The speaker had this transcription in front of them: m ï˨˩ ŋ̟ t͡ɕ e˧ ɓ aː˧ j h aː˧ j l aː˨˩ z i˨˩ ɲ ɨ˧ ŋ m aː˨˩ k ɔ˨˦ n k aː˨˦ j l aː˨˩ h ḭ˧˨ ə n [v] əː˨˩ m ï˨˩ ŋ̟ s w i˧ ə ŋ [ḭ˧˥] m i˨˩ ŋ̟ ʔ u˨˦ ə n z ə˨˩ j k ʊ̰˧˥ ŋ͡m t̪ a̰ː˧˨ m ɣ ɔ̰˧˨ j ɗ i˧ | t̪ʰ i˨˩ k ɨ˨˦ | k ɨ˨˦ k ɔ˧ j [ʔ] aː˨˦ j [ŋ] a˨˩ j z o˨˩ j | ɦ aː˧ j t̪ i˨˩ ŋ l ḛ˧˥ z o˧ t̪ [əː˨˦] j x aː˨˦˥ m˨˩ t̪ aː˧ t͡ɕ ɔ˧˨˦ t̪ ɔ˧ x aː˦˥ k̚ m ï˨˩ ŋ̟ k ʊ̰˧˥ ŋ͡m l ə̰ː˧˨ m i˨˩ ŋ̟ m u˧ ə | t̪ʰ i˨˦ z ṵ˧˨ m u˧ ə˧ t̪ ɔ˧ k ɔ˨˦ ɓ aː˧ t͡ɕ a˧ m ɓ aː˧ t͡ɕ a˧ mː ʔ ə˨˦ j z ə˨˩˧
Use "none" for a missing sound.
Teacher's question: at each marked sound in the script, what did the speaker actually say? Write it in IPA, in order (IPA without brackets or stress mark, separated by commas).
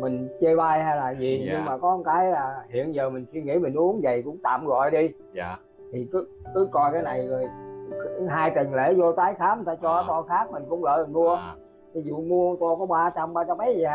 z, ḭ˧˥, k, n, aː˨˦